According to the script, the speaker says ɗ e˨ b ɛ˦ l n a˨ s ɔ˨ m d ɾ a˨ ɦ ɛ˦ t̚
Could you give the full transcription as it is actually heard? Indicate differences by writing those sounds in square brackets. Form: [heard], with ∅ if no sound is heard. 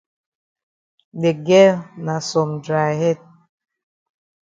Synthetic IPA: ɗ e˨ [ɡ] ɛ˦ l n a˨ s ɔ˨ m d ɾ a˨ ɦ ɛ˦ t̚